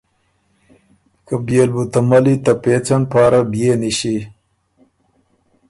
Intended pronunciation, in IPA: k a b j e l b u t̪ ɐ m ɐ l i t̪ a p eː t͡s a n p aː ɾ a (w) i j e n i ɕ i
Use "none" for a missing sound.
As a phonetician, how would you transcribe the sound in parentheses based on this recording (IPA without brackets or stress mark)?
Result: b